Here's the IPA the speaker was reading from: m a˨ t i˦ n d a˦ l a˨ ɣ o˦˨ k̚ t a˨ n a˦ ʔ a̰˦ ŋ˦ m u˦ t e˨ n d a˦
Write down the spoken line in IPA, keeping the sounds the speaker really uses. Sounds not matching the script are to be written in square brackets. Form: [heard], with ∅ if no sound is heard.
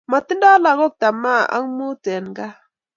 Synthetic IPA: m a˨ t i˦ n d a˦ l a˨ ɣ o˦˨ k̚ t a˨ [m] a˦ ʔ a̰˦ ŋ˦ m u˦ t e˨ n [ɡ] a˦